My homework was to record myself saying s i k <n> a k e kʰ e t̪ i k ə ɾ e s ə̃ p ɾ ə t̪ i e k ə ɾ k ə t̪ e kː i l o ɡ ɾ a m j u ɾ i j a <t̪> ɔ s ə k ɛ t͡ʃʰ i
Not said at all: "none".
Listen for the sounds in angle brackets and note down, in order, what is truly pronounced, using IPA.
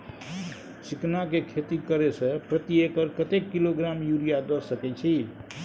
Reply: n, d̪

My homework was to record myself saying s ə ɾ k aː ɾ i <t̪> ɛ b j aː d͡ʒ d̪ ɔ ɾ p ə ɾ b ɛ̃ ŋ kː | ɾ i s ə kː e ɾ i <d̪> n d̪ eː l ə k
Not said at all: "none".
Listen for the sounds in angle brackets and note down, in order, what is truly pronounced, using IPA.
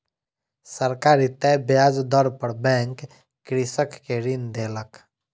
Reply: t̪, none

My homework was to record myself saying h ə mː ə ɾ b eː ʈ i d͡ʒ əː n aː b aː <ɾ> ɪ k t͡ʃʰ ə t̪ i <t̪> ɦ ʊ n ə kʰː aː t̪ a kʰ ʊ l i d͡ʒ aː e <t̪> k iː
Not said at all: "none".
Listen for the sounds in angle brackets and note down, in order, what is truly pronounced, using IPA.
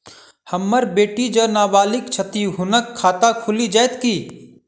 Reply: l, none, t̪

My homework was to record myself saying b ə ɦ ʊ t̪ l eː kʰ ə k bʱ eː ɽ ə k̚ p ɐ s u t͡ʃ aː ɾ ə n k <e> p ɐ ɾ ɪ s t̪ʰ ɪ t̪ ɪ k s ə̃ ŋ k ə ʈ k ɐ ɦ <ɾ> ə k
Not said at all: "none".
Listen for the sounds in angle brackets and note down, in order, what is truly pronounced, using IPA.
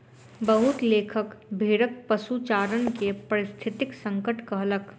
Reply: e, l

